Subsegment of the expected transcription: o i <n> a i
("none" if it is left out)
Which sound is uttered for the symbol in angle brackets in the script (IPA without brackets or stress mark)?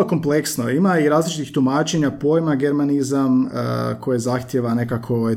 m